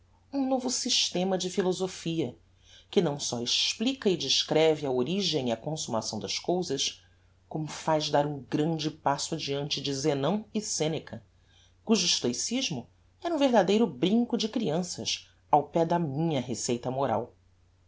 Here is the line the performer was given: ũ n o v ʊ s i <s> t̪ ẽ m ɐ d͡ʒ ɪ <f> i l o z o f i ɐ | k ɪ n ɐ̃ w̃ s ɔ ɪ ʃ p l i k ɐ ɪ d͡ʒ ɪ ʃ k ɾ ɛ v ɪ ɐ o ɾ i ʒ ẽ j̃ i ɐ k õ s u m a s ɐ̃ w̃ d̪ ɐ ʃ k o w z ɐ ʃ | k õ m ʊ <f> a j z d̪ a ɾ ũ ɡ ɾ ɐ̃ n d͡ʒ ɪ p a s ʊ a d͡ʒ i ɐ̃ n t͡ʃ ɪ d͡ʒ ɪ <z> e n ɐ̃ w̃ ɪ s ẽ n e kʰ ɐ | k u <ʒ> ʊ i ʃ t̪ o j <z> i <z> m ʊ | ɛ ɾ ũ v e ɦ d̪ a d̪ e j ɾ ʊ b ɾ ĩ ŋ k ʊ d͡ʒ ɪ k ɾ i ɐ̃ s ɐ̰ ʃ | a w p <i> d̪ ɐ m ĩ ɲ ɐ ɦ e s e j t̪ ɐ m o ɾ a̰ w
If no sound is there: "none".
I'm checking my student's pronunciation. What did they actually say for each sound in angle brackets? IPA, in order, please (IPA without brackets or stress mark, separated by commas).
ʃ, f, f, z, ʒ, s, ʒ, ɛ